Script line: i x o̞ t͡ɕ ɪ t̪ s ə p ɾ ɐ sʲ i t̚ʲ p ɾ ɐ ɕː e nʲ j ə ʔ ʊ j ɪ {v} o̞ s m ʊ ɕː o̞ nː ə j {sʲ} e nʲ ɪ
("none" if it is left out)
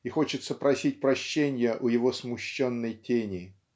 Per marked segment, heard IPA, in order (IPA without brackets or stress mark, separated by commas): v, tʲ